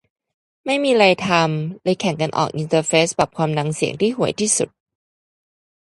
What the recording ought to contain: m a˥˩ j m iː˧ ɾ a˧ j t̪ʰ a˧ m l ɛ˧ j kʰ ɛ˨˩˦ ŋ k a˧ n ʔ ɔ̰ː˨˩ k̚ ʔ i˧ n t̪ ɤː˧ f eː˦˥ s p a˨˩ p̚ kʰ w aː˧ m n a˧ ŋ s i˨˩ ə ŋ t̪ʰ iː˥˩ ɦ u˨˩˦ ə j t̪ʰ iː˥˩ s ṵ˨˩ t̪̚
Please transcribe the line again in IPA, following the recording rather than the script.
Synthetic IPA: m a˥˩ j m iː˧ ɾ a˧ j t̪ʰ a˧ m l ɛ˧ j kʰ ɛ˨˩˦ ŋ k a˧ n ʔ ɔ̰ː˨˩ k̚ ʔ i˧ n t̪ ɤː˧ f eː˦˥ s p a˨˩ p̚ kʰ w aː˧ m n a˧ ŋ s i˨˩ ə ŋ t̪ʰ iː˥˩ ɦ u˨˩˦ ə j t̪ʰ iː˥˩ s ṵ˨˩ t̪̚